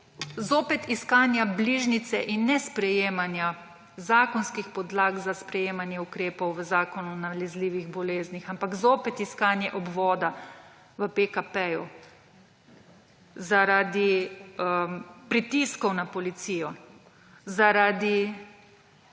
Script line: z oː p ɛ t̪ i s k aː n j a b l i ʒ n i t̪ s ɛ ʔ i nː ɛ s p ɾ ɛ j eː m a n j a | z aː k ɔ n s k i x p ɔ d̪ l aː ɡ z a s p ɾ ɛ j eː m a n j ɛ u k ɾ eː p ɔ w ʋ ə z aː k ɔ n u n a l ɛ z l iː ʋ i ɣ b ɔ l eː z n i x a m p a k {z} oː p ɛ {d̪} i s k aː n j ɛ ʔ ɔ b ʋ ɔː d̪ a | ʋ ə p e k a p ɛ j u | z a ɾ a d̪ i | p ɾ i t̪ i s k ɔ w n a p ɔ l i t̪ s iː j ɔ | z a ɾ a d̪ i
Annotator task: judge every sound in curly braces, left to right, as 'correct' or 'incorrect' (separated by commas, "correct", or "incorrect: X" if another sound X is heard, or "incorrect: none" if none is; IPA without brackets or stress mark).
correct, incorrect: t̪